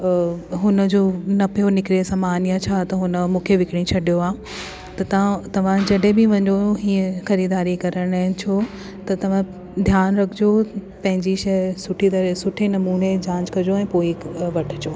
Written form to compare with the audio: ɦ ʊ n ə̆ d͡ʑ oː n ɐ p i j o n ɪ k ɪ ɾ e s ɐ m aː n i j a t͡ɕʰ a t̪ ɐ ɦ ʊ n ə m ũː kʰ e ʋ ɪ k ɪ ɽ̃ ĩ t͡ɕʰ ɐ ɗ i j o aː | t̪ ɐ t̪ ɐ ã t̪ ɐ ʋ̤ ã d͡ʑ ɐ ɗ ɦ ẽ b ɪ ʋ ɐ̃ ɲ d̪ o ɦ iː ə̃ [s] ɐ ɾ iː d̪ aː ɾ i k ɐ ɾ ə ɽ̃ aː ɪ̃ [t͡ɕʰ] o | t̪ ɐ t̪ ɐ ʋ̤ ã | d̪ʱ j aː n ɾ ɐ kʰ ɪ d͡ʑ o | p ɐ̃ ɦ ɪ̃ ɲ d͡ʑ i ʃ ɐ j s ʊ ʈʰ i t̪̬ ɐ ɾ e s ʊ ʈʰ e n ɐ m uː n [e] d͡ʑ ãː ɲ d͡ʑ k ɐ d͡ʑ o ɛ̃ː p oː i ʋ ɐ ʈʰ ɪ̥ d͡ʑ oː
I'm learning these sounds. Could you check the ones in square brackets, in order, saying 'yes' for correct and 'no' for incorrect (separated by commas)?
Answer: no, yes, yes